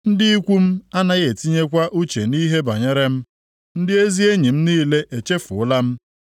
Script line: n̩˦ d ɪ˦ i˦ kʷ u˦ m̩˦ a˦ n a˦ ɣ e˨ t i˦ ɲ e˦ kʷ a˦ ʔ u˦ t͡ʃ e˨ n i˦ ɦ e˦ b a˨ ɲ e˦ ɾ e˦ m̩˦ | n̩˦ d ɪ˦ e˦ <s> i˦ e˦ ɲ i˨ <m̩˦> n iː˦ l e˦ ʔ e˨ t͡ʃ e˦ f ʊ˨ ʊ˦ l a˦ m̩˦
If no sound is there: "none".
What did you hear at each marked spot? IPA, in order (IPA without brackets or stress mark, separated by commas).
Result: z, m̩˦